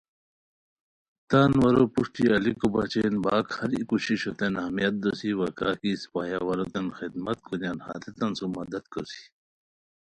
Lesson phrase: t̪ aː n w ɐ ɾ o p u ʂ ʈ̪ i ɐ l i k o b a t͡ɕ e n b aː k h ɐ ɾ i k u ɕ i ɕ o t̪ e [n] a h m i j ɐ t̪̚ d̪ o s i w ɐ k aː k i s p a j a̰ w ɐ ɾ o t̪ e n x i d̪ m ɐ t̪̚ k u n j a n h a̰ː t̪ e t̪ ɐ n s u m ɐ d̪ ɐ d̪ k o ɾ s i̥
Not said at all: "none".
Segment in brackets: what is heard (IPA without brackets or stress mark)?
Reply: n